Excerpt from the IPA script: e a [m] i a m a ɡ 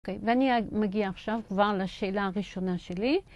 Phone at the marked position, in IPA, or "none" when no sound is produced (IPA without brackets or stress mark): n